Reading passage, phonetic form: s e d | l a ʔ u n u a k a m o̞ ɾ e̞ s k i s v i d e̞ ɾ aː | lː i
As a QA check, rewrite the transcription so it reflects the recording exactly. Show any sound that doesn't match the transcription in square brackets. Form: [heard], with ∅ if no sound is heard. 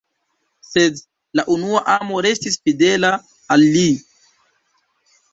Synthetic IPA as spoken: s e d | l a ʔ u n u a [ʔ] a m o̞ ɾ e̞ s [t] i s [f] i d e̞ [l] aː | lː i

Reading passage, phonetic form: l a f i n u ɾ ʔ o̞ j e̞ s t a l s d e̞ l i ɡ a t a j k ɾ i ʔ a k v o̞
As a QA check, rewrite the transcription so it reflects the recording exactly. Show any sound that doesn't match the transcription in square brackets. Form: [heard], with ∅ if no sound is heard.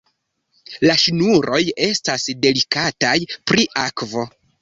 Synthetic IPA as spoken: l a [ʃ] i n u ɾ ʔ o̞ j e̞ s t a [∅] s d e̞ l i [k] a t a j [p] ɾ i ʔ a k v o̞

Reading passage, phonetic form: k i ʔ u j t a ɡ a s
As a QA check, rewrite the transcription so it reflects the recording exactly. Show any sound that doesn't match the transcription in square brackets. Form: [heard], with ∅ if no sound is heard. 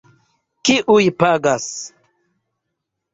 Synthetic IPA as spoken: k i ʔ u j [p] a ɡ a s

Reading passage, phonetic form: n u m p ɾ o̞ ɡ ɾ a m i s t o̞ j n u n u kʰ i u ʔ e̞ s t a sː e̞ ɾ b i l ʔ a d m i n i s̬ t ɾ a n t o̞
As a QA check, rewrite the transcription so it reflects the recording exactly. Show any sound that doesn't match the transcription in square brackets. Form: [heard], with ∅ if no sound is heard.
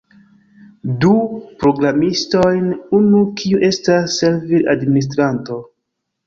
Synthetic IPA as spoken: [d] u [∅] p ɾ o̞ ɡ ɾ a m i s t o̞ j n u n u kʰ i u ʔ e̞ s t a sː e̞ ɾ [v] i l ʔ a d m i n i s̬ t ɾ a n t o̞

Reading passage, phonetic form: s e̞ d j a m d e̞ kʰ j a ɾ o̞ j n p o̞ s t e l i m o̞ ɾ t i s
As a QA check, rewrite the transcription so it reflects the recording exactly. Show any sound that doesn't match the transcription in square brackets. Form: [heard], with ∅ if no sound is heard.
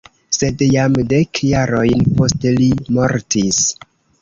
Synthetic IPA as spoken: s e̞ d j a m d e̞ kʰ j a ɾ o̞ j n p o̞ s t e l i m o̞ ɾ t i s

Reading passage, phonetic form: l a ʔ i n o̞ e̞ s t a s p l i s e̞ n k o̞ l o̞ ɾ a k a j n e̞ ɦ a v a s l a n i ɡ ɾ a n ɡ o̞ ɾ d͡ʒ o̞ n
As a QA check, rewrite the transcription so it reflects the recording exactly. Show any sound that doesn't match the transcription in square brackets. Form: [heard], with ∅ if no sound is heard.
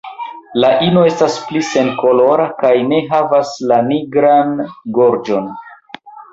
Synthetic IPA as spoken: l a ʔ i n o̞ e̞ s t a s p l i s e̞ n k o̞ l o̞ ɾ a k a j n e̞ ɦ a v a s l a n i ɡ ɾ a n ɡ o̞ ɾ d͡ʒ o̞ n

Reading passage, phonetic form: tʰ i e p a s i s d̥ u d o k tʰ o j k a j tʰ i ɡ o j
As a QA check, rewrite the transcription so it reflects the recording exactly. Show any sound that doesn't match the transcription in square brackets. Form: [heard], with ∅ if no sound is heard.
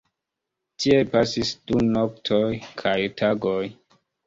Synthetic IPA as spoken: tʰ i e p a s i s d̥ u [n] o k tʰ o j [kʰ] a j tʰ [a] ɡ o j

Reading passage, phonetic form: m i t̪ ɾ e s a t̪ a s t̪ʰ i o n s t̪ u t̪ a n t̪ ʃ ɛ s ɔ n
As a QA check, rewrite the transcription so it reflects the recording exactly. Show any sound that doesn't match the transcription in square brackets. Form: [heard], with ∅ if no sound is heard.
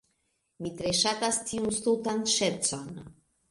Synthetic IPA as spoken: m i t̪ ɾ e [ʃ] a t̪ a s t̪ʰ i [u] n s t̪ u t̪ a n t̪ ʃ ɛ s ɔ n

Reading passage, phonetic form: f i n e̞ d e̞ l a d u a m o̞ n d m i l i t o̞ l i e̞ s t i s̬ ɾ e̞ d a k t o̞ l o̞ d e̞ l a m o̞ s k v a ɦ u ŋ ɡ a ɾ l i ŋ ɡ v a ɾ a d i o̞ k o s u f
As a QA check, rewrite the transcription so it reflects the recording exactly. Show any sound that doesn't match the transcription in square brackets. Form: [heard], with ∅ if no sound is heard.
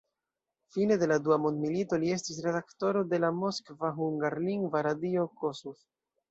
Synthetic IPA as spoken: f i n e̞ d e̞ l a d u a m o̞ n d m i l i t o̞ l i e̞ s t i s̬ ɾ e̞ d a k t o̞ [ɾ] o̞ d e̞ l a m o̞ s k v a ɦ u ŋ ɡ a ɾ l i ŋ ɡ v a ɾ a d i o̞ k o s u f

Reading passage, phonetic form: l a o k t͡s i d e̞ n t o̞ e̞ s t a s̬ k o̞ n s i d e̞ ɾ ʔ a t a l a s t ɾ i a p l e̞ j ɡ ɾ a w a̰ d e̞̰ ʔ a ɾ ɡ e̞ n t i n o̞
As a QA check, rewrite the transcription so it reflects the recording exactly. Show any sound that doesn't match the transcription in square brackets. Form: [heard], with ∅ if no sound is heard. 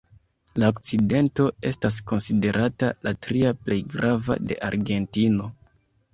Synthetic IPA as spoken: l a o k t͡s i d e̞ n t o̞ e̞ s t a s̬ k o̞ n s i d e̞ ɾ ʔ a t a l a [∅] t ɾ i a p l e̞ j ɡ ɾ a [v] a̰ d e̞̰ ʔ a ɾ ɡ e̞ n t i n o̞

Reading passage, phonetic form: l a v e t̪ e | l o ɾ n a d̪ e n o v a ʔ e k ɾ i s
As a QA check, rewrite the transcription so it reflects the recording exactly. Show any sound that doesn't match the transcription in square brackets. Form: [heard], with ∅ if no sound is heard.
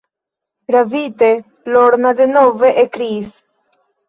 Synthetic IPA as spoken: [ɾ] a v [i] t̪ e | l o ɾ n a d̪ e n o v [e] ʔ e k ɾ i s

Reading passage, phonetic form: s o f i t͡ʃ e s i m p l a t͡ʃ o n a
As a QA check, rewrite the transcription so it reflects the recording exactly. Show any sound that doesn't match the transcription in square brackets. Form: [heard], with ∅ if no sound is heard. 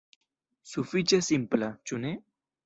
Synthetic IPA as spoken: s [u] f i t͡ʃ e s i m p l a t͡ʃ [u] n [e]

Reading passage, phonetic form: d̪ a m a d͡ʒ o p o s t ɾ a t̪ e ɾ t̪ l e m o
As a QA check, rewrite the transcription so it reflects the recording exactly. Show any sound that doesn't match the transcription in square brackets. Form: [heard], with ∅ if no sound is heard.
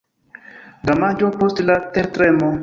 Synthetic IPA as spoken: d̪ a m a d͡ʒ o p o s t [l] a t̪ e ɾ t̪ [ɾ] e m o

